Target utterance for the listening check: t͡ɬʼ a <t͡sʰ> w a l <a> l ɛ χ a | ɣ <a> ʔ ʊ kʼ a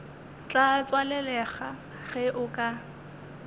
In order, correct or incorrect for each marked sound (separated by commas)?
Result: incorrect, incorrect, incorrect